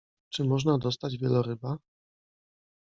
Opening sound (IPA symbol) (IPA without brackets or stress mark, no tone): t͡ʂ